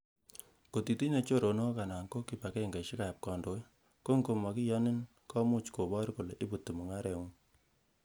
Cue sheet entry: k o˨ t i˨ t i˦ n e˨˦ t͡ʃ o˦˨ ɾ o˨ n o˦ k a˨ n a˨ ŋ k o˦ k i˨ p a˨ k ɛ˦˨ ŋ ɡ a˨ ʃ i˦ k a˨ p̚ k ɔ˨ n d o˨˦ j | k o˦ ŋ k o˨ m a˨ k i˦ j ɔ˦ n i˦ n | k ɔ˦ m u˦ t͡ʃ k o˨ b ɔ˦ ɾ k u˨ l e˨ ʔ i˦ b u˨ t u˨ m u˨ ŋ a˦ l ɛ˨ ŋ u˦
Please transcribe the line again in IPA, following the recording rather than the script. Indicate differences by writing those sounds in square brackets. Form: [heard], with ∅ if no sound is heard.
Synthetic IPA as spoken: k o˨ t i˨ t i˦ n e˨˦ t͡ʃ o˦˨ ɾ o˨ n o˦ k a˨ n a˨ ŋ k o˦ k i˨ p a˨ k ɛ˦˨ ŋ ɡ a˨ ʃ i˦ k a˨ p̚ k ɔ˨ n d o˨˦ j | k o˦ ŋ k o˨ m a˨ k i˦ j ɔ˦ n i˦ n | k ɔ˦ m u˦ t͡ʃ k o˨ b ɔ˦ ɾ k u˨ l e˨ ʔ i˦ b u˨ t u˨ m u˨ ŋ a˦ [ɾ] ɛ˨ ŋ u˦